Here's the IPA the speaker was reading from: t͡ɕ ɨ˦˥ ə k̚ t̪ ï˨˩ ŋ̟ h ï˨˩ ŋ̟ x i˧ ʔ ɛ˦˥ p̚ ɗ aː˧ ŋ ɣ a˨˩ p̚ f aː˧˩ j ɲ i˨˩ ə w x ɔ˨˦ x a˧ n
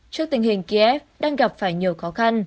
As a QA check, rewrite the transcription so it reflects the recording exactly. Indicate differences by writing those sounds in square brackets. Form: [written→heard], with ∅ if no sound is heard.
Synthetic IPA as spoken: t͡ɕ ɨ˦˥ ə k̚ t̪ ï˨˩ ŋ̟ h ï˨˩ ŋ̟ [x→k] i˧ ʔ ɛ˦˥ p̚ ɗ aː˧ ŋ ɣ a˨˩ p̚ f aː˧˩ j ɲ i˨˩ ə w x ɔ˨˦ x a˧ n

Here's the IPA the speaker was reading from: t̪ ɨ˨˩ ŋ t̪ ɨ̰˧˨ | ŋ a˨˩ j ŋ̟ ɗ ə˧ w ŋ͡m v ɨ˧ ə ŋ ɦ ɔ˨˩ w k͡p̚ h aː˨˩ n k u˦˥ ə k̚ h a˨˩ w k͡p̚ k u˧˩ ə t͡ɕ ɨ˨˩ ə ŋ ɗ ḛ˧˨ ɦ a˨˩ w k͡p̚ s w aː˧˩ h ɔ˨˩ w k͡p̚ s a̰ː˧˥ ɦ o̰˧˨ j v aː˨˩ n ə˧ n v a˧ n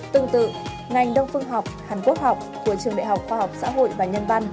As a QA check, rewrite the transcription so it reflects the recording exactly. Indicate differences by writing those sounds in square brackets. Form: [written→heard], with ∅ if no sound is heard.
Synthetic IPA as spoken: t̪ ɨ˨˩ ŋ t̪ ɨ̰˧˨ | ŋ a˨˩ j ŋ̟ ɗ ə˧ w ŋ͡m [v→f] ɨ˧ ə ŋ ɦ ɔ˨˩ w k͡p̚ h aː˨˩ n k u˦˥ ə k̚ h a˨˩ w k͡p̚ k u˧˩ ə t͡ɕ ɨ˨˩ ə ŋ ɗ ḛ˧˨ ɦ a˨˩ w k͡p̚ [s→x] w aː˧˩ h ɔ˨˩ w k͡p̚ s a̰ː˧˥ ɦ o̰˧˨ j v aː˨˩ [n→ɲ] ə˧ n v a˧ n

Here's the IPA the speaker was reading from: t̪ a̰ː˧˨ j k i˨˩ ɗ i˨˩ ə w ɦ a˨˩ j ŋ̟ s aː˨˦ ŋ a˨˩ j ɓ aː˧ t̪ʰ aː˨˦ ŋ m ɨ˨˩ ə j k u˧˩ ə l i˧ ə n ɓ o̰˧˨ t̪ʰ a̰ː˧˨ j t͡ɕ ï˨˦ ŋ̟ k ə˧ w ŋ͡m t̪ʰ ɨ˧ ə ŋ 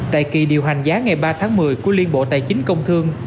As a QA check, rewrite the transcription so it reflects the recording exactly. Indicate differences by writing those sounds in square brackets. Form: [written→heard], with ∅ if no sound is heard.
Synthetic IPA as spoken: t̪ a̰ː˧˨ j k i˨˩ ɗ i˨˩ ə w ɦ a˨˩ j ŋ̟ [s→z] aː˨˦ ŋ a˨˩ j ɓ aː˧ t̪ʰ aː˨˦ ŋ m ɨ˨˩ ə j k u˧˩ ə l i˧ ə n ɓ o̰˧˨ [t̪ʰ→t̪] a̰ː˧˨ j t͡ɕ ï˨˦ ŋ̟ k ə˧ w ŋ͡m t̪ʰ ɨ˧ ə ŋ

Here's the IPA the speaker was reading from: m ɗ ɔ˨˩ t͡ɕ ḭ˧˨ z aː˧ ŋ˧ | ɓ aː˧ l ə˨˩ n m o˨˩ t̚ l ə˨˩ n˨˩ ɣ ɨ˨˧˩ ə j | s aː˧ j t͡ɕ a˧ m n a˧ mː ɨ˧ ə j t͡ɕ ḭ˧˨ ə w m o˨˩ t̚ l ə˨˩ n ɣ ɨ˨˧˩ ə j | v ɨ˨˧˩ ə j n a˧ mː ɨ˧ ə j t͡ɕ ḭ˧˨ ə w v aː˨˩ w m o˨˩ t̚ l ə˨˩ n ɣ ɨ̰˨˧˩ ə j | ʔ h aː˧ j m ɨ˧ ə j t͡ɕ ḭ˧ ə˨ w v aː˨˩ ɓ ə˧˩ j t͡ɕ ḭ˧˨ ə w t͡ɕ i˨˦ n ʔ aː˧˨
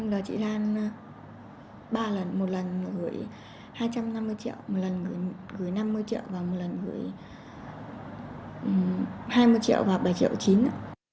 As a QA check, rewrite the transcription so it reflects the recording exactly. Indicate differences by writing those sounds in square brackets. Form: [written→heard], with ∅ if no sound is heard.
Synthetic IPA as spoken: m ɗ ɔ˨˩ t͡ɕ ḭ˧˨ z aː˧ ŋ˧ | ɓ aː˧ l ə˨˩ n m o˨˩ t̚ l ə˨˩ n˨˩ ɣ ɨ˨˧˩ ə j | [s→h] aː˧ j t͡ɕ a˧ m n a˧ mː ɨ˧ ə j t͡ɕ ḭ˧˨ ə w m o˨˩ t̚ l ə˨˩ n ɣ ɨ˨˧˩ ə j | [v→ɣ] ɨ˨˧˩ ə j n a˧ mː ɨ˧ ə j t͡ɕ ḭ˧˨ ə w v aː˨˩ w m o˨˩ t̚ l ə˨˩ n ɣ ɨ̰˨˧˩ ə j | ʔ h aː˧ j m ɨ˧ ə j t͡ɕ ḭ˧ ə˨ w v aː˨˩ ɓ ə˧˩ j t͡ɕ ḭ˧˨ ə w t͡ɕ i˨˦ n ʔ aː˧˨

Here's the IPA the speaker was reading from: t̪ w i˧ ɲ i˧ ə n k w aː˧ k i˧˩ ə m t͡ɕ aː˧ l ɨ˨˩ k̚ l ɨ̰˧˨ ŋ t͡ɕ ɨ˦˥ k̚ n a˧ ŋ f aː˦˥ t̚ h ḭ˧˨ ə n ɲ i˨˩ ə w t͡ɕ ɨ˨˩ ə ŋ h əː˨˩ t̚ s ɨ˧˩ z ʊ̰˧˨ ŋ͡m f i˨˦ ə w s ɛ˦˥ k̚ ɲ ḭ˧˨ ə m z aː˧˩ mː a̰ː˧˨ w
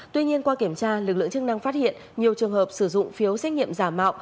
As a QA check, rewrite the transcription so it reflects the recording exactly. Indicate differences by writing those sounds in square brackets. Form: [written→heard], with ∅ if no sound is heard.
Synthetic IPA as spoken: t̪ w i˧ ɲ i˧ ə n k w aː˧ k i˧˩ ə m t͡ɕ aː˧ l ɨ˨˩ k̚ l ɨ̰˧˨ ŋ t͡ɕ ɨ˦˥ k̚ n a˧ ŋ f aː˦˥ t̚ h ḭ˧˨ ə n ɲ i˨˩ ə w t͡ɕ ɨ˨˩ ə ŋ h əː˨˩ [t̚→p̚] s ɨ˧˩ z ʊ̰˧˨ ŋ͡m f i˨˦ ə w s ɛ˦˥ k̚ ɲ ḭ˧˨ ə m z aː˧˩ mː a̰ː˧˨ w

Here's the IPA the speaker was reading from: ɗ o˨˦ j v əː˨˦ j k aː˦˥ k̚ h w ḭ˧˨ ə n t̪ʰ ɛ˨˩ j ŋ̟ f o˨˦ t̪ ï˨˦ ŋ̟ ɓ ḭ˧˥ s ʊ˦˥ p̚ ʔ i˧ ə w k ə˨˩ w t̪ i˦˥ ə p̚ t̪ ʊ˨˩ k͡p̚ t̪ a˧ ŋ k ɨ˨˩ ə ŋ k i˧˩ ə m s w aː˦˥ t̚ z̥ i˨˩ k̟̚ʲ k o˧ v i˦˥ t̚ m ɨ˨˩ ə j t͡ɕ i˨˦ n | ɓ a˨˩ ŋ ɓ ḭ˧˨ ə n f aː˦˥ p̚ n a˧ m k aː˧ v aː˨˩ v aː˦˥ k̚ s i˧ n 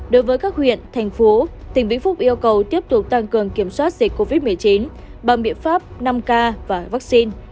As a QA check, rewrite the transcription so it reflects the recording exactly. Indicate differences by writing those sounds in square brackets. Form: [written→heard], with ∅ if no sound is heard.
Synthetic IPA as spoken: ɗ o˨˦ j v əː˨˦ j k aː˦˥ k̚ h w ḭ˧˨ ə n t̪ʰ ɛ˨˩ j ŋ̟ f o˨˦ t̪ [ï˨˦→ï˨˩] ŋ̟ ɓ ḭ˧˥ [s→f] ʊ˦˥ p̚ ʔ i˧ ə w k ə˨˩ w t̪ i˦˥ ə p̚ t̪ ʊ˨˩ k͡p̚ t̪ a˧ ŋ k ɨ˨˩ ə ŋ k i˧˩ ə m s w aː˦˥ t̚ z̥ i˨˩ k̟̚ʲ k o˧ v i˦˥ t̚ m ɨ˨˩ ə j t͡ɕ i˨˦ n | ɓ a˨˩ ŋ ɓ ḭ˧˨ ə n f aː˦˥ p̚ n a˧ m k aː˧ v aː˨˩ v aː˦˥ k̚ s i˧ n

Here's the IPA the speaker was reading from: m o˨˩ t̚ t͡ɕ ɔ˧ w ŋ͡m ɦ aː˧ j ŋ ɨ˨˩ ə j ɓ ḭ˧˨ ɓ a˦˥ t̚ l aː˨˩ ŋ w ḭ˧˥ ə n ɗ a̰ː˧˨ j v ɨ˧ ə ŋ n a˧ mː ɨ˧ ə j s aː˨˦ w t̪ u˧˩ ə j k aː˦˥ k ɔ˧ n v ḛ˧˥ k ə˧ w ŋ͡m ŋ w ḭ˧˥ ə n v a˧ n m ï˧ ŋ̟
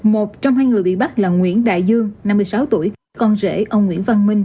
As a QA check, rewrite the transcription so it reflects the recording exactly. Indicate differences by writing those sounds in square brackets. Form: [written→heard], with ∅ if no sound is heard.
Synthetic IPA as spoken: m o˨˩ t̚ t͡ɕ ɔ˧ w ŋ͡m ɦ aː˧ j ŋ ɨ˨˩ ə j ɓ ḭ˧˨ ɓ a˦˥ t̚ l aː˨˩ ŋ w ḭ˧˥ ə n ɗ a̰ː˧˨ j [v→z] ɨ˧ ə ŋ n a˧ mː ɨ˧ ə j s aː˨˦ w t̪ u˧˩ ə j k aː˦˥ k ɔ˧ n [v→z] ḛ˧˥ [k→ʔ] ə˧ w ŋ͡m ŋ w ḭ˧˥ ə n v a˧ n m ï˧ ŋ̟

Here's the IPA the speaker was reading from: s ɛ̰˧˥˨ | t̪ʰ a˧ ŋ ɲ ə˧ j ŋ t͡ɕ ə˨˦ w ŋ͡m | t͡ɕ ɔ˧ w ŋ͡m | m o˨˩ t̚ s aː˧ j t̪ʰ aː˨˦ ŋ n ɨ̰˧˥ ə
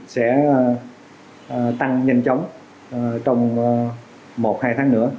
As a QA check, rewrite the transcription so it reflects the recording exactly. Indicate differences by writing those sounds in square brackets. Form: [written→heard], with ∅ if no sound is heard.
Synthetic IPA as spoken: s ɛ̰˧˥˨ | [t̪ʰ→t̪] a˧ ŋ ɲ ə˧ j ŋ t͡ɕ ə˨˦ w ŋ͡m | t͡ɕ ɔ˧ w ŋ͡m | m o˨˩ t̚ [s→h] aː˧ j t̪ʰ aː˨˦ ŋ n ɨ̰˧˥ ə

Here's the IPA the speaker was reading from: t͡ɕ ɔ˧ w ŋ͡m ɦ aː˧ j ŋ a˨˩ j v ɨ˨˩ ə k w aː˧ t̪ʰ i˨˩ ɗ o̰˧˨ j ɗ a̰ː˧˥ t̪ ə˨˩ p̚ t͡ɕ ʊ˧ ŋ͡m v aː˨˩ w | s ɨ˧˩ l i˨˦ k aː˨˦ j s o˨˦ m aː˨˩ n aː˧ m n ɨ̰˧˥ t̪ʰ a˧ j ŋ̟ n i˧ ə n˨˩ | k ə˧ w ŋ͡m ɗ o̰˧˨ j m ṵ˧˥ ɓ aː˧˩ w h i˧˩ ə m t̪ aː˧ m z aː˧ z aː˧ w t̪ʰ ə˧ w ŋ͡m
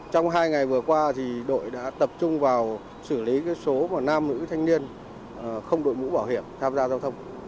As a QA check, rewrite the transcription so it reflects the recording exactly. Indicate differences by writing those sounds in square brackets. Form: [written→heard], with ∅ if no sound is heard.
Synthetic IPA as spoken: t͡ɕ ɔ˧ w ŋ͡m ɦ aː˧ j ŋ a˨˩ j v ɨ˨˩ ə k w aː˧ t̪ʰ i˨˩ ɗ o̰˧˨ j ɗ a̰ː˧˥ t̪ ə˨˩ p̚ t͡ɕ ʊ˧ ŋ͡m v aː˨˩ w | s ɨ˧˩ l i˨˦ k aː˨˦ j s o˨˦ m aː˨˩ n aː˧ m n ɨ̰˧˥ t̪ʰ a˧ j ŋ̟ n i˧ ə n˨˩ | [k→x] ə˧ w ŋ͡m ɗ o̰˧˨ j m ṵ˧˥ ɓ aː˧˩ w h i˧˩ ə m [t̪→t̪ʰ] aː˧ m z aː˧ z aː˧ w t̪ʰ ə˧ w ŋ͡m

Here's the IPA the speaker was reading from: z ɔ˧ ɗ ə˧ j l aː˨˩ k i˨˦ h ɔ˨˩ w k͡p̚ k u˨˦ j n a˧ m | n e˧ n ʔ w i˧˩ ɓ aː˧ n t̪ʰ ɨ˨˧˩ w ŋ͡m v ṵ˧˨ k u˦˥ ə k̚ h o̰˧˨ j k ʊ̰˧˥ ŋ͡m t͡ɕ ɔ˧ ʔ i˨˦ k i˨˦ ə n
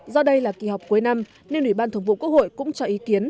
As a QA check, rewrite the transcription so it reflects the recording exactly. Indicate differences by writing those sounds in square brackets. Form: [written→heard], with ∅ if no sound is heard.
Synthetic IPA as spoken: z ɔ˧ ɗ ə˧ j l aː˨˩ k [i˨˦→i˨˩] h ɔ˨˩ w k͡p̚ k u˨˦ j n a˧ m | n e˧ n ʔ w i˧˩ ɓ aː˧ n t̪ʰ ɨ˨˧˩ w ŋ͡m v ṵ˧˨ k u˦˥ ə k̚ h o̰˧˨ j k ʊ̰˧˥ ŋ͡m t͡ɕ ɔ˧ ʔ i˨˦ k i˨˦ ə n

